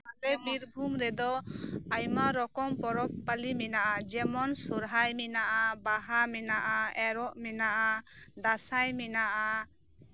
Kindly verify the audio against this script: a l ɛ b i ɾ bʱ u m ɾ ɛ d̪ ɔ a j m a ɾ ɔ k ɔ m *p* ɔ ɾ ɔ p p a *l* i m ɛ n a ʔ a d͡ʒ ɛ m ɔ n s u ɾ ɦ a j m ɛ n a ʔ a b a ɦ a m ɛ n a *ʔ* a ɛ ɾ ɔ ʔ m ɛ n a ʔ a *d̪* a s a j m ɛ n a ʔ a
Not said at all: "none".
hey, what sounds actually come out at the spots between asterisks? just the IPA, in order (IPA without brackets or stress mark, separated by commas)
p, l, ʔ, d̪